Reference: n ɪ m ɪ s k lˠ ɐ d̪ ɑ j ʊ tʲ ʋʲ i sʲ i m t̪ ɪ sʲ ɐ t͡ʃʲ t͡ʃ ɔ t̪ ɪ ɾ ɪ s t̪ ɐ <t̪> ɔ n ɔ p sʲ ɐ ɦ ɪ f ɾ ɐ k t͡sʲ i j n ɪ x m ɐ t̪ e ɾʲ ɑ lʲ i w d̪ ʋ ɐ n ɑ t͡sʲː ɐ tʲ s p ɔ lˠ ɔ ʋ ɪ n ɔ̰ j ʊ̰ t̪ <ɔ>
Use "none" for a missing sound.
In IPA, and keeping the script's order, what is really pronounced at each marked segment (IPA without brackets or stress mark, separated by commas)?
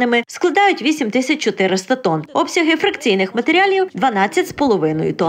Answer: t̪, ɔ